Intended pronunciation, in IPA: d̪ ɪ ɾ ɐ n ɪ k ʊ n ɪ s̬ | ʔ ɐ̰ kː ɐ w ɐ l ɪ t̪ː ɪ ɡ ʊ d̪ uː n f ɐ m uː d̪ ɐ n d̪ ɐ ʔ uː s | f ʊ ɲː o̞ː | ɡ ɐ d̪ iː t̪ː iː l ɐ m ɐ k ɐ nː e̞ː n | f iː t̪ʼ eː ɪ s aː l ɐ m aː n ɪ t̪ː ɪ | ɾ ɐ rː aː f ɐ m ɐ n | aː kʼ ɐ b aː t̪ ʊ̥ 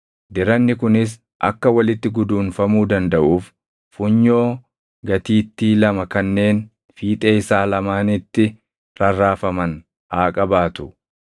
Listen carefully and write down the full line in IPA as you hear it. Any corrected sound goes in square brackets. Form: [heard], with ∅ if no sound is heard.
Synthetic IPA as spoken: d̪ ɪ ɾ ɐ [nː] ɪ k ʊ n ɪ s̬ | ʔ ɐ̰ kː ɐ w ɐ l ɪ t̪ː ɪ ɡ ʊ d̪ uː n f ɐ m uː d̪ ɐ n d̪ ɐ ʔ uː [f] | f ʊ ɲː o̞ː | ɡ ɐ [t̪] iː t̪ː iː l ɐ m ɐ k ɐ nː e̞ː n | f iː t̪ʼ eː ɪ s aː l ɐ m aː n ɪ t̪ː ɪ | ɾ ɐ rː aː f ɐ m ɐ n | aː kʼ ɐ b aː t̪ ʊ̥

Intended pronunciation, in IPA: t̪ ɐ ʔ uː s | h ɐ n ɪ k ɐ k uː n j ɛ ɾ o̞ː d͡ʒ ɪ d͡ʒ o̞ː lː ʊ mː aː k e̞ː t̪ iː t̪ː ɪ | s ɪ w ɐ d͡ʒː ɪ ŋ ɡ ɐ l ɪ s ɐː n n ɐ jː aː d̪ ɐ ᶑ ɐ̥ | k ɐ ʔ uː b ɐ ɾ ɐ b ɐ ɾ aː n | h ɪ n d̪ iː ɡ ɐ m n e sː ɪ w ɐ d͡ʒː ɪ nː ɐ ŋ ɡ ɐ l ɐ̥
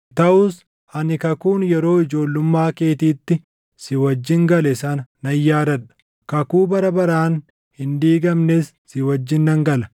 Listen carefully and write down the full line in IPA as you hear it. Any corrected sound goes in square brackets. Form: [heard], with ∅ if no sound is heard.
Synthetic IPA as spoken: t̪ ɐ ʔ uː s | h ɐ n ɪ k ɐ k uː n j ɛ ɾ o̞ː [∅] ɪ d͡ʒ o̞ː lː ʊ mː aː k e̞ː t̪ iː t̪ː ɪ | s ɪ w ɐ d͡ʒː ɪ ŋ ɡ ɐ l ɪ s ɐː n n ɐ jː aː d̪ ɐ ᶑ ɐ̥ | k ɐ [k] uː b ɐ ɾ ɐ b ɐ ɾ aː n | h ɪ n d̪ iː ɡ ɐ m n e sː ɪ w ɐ d͡ʒː ɪ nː ɐ ŋ ɡ ɐ l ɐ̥

